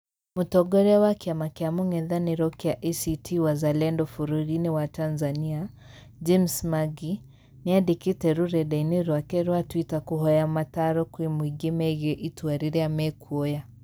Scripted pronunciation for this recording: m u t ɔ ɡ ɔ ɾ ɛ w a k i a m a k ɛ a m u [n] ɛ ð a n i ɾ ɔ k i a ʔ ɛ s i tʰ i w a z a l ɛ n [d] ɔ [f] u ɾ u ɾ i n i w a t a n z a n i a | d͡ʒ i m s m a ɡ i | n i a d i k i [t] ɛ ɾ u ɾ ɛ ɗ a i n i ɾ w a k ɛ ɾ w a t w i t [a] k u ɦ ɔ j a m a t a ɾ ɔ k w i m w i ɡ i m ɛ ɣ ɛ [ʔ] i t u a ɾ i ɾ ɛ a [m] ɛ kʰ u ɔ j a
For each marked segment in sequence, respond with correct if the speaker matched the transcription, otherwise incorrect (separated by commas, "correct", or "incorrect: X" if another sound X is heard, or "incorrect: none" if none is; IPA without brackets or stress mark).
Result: incorrect: ŋ, correct, correct, correct, correct, correct, correct